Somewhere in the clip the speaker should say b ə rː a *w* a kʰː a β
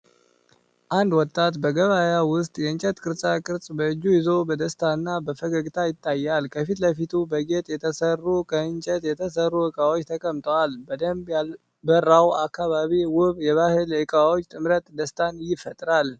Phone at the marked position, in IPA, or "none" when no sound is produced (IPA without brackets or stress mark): w